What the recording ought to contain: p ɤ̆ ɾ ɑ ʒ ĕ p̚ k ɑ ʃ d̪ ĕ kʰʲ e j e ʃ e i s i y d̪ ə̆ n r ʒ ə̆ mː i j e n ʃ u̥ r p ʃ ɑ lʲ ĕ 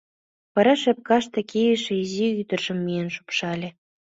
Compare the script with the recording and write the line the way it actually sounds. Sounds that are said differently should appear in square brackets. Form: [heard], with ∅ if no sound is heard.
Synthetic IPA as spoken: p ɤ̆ ɾ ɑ [ʃ] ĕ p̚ k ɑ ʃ [t̪] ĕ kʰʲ e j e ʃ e i [z] i y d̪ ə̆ [∅] r ʒ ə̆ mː i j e n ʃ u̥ [∅] p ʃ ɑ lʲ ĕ